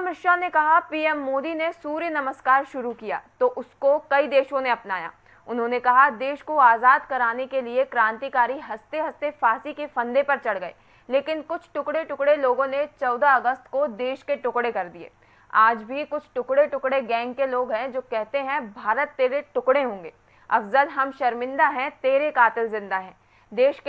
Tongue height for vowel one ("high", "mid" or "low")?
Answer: high